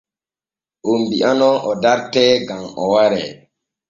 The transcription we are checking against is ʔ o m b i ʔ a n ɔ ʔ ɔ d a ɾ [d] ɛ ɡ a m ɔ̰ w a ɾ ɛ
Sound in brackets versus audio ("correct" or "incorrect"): incorrect